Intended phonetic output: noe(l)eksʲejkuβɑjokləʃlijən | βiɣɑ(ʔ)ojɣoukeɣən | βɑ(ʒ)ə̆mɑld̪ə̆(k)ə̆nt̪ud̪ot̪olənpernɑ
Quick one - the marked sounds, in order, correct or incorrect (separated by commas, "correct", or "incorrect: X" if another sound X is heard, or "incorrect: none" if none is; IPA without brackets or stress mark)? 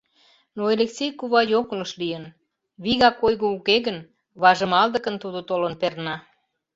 correct, incorrect: k, correct, correct